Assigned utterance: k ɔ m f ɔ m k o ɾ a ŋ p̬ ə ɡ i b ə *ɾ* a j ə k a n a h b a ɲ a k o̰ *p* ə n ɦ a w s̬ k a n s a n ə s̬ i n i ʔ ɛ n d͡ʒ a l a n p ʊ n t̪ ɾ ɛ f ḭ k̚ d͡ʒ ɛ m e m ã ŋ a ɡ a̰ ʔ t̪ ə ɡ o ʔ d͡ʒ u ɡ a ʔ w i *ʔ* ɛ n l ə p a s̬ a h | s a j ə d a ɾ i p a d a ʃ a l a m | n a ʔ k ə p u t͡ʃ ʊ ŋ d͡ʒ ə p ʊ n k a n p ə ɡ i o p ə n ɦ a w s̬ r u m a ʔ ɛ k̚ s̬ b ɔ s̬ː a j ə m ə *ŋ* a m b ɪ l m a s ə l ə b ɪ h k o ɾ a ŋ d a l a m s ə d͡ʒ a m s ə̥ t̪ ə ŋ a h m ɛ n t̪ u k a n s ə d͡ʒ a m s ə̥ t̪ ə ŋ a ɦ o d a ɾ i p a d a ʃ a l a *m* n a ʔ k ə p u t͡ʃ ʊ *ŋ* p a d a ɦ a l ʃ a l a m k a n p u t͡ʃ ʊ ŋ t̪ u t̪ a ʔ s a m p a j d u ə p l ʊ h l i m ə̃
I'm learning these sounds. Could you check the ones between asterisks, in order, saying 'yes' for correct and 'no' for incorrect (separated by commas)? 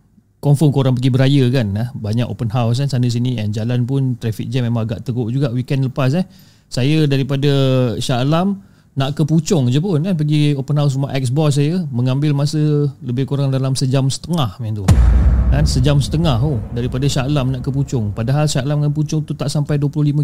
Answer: yes, yes, no, yes, yes, yes